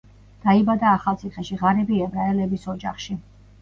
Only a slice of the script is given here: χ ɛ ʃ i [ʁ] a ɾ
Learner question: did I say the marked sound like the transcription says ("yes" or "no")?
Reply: yes